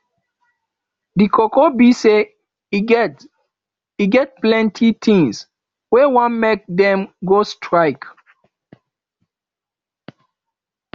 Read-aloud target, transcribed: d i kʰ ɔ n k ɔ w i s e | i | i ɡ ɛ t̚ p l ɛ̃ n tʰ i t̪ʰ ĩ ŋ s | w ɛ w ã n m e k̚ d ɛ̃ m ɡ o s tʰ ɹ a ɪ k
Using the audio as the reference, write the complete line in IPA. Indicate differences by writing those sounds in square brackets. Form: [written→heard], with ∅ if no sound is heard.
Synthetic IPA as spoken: d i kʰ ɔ [n→∅] k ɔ [w→b] i s e | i | i ɡ ɛ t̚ p l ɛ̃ n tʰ i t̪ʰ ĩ ŋ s | w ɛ w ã n m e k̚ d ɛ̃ m ɡ o s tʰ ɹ a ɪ k